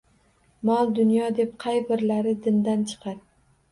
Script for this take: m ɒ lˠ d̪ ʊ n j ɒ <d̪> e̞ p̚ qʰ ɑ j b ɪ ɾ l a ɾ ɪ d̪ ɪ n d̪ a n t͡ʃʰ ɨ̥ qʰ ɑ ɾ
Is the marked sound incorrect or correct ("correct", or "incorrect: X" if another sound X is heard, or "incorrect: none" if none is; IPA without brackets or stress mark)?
correct